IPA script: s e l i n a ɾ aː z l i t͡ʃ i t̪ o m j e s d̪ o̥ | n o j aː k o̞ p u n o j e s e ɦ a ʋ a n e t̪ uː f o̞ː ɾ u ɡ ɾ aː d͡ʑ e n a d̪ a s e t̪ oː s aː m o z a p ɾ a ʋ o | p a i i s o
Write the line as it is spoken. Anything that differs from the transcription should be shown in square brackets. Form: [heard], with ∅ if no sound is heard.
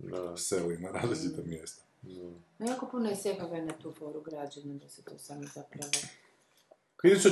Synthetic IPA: s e l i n a ɾ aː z l i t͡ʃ i t̪ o m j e s [t̪] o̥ | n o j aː k o̞ p u n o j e s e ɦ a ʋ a n [a] t̪ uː f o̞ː ɾ u ɡ ɾ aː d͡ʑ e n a d̪ a s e t̪ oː s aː m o z a p ɾ a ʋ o | [k] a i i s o